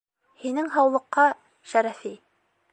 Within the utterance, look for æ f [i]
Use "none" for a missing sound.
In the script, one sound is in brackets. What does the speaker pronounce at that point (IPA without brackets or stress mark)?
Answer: i